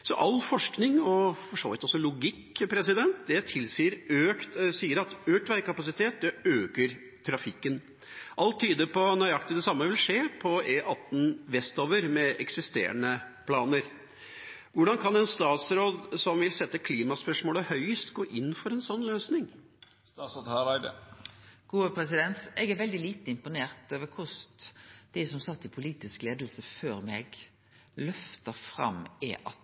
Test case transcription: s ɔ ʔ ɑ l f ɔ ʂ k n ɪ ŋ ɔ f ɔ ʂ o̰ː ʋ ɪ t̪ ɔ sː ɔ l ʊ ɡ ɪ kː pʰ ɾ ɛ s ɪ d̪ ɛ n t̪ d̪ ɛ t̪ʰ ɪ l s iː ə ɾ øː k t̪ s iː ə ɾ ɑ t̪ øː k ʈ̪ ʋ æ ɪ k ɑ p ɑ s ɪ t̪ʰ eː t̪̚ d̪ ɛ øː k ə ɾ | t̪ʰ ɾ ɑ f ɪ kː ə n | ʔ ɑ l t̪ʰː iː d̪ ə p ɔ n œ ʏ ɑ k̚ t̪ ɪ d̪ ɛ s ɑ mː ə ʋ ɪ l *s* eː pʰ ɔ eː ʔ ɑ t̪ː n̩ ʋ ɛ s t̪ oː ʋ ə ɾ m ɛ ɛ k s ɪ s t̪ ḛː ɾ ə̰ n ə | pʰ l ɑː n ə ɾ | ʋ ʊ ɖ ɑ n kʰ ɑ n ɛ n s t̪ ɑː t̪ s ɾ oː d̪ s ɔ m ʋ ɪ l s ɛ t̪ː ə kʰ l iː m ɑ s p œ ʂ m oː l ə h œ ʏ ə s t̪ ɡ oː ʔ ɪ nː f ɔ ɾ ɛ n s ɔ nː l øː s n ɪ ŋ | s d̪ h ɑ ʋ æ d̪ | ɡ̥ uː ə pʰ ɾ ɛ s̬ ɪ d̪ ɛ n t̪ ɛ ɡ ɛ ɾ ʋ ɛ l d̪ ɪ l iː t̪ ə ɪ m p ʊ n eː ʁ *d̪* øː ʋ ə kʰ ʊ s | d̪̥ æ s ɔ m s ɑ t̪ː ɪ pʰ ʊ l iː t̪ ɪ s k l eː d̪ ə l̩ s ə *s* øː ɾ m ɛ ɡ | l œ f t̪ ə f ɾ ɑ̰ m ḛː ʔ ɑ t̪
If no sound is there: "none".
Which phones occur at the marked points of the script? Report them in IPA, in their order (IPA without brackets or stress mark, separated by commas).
ʂ, t̪, f